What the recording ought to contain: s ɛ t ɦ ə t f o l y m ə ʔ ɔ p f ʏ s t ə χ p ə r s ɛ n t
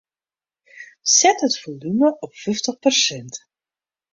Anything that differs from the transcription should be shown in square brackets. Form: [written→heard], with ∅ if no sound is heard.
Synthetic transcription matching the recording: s ɛ t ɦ ə t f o l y m ə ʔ ɔ p f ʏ [s→f] t ə χ p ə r s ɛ n t